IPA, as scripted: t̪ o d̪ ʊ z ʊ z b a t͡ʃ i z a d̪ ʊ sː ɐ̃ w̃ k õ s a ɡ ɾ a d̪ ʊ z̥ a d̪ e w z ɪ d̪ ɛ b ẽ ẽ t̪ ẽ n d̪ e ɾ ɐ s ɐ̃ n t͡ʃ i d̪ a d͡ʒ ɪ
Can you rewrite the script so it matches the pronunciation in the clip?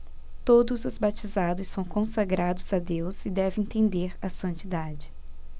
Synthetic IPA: t̪ o d̪ ʊ z ʊ z b a t͡ʃ i z a d̪ ʊ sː ɐ̃ w̃ k õ s a ɡ ɾ a d̪ ʊ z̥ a d̪ e w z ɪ d̪ ɛ v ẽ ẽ t̪ ẽ n d̪ e ɾ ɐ s ɐ̃ n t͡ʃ i d̪ a d͡ʒ ɪ